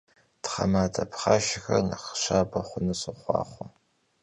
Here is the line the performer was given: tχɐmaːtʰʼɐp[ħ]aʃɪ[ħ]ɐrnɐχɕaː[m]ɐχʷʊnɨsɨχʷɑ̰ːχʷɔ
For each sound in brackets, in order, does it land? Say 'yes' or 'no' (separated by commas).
no, no, no